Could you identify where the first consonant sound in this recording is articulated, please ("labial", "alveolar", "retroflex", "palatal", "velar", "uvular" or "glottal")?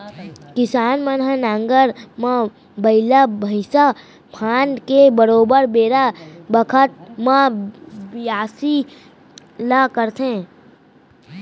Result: velar